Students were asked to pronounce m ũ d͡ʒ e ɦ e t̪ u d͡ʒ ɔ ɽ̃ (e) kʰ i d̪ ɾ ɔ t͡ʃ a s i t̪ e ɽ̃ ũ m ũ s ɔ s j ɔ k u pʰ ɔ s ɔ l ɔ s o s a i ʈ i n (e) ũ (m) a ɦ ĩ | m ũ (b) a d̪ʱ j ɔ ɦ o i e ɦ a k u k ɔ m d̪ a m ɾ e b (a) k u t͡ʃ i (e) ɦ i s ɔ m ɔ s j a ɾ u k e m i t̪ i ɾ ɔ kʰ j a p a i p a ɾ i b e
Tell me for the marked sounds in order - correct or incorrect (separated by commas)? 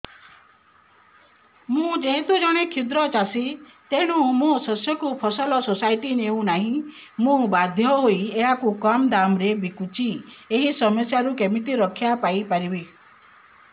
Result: correct, correct, incorrect, correct, incorrect, correct